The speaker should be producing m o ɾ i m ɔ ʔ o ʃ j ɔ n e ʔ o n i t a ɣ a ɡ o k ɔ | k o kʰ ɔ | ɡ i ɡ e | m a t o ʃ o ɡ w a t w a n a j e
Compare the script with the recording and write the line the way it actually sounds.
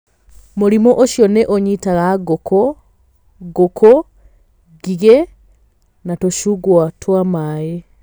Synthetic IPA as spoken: m o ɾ i m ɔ ʔ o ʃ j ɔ n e ʔ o ɲ i t a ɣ a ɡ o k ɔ | ɡ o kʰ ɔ | ɡ i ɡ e | n a t o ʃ u ɡ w a t w a m a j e